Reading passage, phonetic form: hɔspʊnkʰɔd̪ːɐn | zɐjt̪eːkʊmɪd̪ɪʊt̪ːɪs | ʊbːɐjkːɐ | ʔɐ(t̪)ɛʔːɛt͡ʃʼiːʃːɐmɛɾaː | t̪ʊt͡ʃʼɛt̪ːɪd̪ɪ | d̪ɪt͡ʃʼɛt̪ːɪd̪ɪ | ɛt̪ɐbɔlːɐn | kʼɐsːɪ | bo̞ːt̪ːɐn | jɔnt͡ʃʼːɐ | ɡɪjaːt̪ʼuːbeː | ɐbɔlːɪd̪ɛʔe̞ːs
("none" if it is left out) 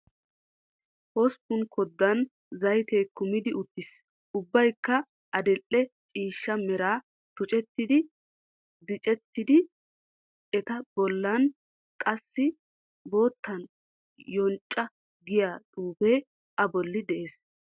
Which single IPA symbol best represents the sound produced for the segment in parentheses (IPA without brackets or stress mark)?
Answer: d̪